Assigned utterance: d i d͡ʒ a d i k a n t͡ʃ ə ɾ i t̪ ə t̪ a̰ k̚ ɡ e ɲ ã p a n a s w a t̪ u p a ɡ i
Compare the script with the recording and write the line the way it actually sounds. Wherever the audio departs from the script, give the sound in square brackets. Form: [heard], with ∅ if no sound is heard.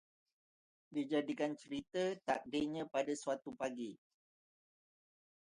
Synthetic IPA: d i d͡ʒ a d i k a n t͡ʃ ə ɾ i t̪ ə t̪ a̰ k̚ [d] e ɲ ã p a [d] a s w a t̪ u p a ɡ i